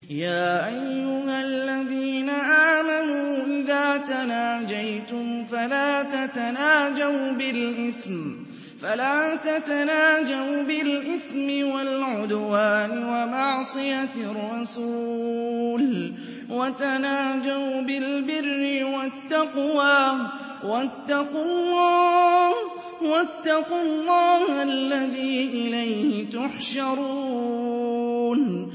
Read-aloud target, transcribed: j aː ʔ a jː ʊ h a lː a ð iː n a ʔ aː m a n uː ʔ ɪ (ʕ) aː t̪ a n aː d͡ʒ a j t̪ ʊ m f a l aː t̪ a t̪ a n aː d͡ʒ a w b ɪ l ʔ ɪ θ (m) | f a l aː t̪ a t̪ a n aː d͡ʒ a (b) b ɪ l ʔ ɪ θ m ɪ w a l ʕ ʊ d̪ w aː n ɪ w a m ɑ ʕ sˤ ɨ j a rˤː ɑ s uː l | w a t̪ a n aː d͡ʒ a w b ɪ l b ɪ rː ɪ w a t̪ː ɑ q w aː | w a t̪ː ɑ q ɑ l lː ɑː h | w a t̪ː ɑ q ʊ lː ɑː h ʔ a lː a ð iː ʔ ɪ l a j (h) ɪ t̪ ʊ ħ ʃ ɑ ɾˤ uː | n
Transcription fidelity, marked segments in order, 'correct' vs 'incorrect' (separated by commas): incorrect, correct, incorrect, correct